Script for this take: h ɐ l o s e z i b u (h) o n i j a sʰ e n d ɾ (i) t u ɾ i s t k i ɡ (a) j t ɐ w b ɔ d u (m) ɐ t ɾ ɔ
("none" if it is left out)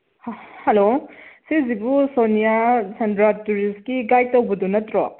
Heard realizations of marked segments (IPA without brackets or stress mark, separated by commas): s, a, a, n